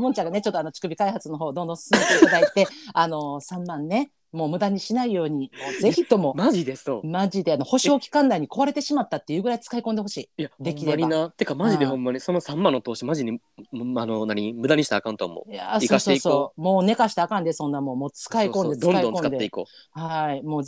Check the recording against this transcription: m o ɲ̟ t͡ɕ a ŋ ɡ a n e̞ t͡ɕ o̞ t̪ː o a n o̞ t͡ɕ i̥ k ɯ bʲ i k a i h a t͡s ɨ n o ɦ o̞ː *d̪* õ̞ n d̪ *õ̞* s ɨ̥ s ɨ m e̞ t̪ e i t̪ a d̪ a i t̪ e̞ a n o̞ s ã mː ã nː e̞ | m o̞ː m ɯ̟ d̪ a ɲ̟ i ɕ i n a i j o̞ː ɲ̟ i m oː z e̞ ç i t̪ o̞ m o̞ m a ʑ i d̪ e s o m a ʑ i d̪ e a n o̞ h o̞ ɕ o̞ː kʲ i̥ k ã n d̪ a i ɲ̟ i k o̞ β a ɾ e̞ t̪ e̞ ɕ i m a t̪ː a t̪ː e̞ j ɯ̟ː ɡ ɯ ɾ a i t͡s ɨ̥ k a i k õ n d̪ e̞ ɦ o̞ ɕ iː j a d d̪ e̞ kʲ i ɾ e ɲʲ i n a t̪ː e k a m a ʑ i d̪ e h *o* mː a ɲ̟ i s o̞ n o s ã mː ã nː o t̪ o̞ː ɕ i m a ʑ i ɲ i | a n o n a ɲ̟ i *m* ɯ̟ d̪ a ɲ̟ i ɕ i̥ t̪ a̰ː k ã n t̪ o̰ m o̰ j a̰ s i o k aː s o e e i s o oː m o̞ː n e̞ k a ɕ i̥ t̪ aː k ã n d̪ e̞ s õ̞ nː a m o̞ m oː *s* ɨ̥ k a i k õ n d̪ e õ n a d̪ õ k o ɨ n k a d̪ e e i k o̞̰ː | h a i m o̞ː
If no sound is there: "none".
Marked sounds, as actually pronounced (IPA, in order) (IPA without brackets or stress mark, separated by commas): d̪, õ̞, õ, m, t͡s